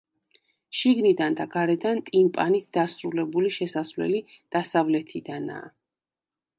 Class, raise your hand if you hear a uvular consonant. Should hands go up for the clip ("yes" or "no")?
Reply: no